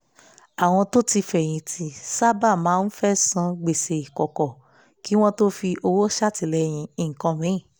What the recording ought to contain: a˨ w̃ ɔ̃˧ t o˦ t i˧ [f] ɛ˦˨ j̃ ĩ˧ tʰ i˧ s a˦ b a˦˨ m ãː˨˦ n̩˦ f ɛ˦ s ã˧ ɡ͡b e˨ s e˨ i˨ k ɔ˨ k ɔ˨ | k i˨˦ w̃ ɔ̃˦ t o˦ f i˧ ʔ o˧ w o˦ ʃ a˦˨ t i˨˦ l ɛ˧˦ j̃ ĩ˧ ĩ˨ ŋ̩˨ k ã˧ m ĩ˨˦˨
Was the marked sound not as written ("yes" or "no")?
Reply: no